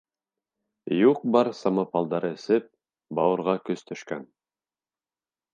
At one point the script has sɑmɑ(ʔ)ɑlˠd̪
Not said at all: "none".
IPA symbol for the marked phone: p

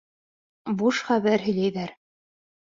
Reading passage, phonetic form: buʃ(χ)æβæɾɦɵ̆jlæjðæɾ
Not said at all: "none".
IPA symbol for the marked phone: χ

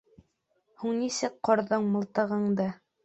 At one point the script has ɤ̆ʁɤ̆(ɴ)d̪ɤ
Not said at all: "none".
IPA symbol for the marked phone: ɴ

